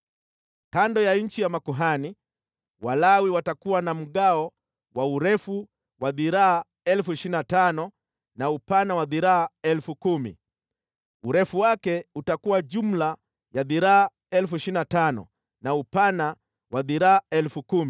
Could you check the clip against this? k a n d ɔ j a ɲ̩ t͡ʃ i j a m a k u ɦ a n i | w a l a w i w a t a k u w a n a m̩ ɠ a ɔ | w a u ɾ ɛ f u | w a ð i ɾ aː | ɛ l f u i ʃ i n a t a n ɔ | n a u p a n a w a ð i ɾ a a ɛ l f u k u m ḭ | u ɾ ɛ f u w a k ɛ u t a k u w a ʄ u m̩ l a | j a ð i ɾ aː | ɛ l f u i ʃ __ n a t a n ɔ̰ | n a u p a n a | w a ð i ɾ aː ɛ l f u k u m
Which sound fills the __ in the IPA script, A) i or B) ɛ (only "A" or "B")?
A